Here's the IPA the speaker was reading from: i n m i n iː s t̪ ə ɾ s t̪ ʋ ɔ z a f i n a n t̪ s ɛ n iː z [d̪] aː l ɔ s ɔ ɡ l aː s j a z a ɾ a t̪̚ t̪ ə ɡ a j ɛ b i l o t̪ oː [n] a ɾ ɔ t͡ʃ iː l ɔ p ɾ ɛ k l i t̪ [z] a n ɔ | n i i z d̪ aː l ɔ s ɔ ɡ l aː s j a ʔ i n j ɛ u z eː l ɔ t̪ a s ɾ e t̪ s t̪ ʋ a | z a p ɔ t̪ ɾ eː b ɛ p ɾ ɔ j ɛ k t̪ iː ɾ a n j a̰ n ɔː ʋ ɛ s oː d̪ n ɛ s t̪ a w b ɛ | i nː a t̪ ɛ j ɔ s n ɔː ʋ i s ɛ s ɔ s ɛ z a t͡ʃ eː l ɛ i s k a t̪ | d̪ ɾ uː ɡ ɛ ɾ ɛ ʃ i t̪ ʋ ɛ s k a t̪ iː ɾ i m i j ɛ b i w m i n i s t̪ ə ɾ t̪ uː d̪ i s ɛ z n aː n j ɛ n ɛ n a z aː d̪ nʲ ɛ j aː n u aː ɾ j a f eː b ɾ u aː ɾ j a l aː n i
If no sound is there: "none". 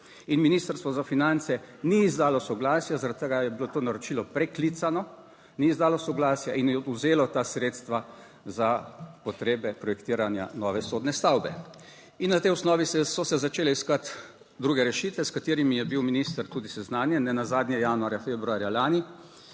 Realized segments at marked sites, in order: d̪, n, s

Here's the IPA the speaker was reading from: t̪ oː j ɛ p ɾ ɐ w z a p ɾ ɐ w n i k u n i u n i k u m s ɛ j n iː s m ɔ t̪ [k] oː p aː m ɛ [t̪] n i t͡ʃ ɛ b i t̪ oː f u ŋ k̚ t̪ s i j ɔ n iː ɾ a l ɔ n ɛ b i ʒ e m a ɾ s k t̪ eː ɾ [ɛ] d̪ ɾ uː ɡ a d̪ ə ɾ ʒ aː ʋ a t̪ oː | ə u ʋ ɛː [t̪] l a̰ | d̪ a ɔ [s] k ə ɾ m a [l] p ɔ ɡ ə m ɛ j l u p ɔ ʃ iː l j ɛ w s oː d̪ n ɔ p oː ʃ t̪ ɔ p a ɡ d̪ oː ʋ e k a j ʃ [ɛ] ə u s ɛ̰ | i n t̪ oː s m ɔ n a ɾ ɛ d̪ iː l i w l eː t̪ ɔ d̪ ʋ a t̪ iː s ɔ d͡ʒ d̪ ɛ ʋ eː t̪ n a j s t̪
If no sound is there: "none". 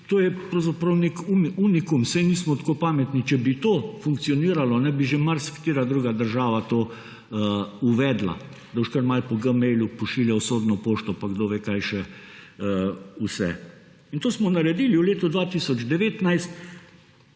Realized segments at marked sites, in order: k, t̪, a, d̪, ʃ, l, ɛ

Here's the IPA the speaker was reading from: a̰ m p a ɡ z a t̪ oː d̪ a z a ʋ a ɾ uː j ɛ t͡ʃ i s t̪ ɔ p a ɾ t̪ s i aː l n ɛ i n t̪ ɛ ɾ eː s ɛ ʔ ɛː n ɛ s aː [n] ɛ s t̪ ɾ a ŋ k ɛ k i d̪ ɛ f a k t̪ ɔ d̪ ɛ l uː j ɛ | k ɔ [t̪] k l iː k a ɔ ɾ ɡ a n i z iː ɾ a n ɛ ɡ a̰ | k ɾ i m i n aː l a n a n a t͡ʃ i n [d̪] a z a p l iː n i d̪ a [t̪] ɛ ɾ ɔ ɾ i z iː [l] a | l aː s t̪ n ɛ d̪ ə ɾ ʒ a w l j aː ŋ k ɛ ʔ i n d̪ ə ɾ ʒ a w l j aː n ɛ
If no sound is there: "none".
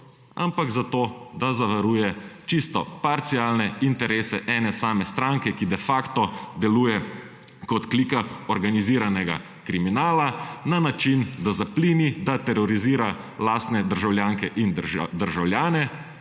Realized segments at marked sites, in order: m, t̪, d̪, t̪, ɾ

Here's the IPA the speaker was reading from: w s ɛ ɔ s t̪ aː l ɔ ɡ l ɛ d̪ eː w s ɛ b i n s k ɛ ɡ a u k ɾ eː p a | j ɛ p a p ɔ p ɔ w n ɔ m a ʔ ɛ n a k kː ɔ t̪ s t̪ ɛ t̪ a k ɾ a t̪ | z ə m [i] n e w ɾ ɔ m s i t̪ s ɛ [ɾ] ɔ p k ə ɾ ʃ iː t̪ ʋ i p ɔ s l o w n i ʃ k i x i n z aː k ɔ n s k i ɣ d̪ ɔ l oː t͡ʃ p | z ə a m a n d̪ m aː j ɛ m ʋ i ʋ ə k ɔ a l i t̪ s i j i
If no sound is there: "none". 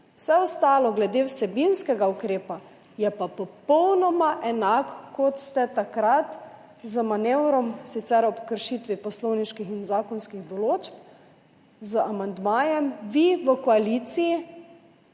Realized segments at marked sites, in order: a, ɾ

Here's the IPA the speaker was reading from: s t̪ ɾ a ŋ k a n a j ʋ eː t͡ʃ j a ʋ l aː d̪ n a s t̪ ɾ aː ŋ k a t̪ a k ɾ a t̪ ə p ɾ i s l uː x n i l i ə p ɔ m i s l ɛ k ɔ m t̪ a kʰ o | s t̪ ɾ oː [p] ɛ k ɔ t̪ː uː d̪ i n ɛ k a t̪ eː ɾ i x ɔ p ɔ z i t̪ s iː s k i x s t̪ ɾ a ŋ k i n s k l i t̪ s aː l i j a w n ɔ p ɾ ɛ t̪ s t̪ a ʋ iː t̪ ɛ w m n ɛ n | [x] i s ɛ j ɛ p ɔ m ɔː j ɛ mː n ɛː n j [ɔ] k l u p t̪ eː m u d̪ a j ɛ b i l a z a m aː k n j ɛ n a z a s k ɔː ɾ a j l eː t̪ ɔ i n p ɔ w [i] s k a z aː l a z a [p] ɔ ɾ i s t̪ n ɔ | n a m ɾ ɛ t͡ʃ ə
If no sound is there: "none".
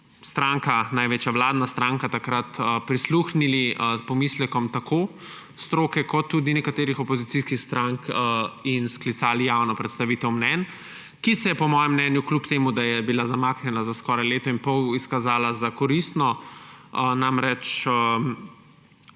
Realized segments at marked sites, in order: k, k, u, i, k

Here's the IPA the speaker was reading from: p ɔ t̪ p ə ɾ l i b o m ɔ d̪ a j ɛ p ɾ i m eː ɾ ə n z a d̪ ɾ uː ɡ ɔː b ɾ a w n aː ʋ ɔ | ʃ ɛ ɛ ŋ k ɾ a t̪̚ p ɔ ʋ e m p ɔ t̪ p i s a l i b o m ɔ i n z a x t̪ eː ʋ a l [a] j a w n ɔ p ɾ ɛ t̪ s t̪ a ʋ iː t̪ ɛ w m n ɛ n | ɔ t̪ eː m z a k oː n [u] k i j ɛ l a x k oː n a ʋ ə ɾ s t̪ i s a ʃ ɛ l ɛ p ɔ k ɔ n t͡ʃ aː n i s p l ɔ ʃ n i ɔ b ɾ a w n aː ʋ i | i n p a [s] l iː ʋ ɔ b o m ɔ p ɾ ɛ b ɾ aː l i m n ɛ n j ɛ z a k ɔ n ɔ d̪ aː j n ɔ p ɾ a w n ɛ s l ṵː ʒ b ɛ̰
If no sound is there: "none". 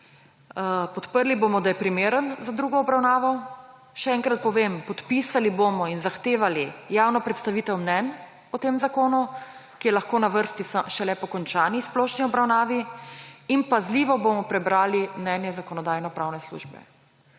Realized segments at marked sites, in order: i, u, z

